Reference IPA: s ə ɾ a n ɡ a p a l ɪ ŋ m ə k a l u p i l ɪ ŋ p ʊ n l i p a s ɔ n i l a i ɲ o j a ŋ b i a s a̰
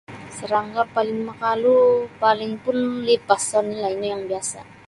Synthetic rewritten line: s ə ɾ a ŋ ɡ a p a l ɪ ŋ m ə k a l u p a l ɪ ŋ p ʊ n l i p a s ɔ n i l a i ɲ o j a ŋ b i a s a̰